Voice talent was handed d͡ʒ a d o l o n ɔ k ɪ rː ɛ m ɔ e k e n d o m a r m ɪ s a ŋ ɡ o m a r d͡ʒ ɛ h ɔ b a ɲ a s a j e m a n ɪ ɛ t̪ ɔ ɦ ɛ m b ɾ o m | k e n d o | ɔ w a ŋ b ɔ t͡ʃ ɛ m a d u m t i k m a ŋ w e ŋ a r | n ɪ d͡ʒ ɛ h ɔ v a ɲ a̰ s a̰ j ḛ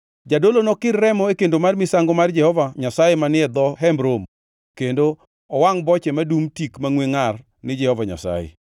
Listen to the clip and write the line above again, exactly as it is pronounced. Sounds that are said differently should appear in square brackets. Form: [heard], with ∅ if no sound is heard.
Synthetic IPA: d͡ʒ a d o l o n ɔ k ɪ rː ɛ m ɔ e k e n d o m a r m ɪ s a ŋ ɡ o m a r d͡ʒ ɛ h ɔ [v] a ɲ a s a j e m a n ɪ ɛ [d̪] ɔ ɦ ɛ m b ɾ o m | k e n d o | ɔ w a ŋ b ɔ t͡ʃ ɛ m a d u m t i k m a ŋ w e ŋ a r | n ɪ d͡ʒ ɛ h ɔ v a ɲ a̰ s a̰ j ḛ